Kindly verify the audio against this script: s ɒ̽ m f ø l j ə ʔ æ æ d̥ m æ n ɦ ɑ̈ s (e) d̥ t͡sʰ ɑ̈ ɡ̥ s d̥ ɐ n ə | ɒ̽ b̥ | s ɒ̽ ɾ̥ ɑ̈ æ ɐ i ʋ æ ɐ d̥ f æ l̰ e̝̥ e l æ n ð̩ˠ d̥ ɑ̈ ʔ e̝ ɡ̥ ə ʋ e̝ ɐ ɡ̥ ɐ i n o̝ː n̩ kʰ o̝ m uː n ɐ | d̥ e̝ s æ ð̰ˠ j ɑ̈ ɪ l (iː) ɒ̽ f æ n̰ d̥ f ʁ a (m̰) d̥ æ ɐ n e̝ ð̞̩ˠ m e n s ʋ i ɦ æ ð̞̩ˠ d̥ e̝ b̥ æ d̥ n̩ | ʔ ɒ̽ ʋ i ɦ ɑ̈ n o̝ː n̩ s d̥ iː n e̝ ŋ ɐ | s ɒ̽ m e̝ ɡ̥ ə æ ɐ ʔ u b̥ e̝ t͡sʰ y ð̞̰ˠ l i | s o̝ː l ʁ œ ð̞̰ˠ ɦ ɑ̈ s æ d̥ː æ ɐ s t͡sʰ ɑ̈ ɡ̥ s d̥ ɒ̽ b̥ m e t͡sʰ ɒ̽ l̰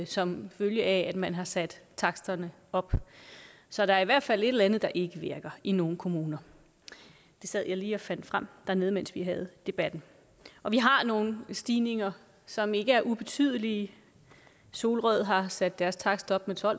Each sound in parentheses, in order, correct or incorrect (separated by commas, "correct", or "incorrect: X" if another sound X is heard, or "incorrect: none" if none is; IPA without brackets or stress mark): incorrect: æ, correct, correct